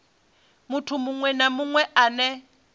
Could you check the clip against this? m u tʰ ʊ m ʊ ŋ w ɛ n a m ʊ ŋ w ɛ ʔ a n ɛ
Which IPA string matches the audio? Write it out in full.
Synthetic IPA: m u tʰ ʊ m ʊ ŋ w ɛ n a m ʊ ŋ w ɛ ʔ a n ɛ